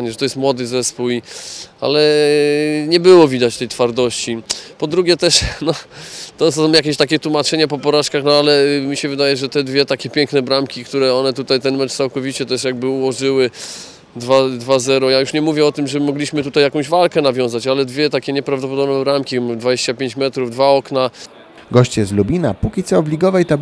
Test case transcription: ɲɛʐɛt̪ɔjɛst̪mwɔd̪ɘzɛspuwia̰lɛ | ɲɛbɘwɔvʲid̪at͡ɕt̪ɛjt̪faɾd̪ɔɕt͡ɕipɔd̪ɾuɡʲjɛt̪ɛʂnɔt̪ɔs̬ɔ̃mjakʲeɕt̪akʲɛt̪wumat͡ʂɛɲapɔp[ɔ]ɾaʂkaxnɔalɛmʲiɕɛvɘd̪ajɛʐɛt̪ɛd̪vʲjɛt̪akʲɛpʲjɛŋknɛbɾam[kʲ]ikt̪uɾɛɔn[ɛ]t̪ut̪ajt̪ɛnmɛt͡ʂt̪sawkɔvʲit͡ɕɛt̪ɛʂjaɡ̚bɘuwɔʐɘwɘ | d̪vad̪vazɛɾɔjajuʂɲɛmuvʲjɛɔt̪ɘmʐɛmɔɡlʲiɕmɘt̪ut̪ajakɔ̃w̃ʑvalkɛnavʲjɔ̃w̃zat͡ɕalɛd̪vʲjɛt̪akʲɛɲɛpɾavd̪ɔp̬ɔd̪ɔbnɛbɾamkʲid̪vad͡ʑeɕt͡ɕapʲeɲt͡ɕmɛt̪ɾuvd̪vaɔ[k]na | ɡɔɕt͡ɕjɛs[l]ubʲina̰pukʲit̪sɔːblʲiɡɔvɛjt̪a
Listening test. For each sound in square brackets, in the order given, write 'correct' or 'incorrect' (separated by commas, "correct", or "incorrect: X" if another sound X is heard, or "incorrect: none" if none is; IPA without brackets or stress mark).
correct, correct, correct, correct, correct